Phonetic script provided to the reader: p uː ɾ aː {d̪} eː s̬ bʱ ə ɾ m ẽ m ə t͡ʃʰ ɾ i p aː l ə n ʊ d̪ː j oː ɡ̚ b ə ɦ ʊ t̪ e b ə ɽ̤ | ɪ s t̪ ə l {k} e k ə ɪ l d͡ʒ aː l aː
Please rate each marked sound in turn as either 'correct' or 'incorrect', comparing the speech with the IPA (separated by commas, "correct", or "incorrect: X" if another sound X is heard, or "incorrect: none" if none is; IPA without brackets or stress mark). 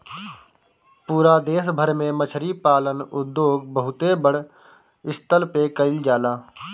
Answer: correct, incorrect: p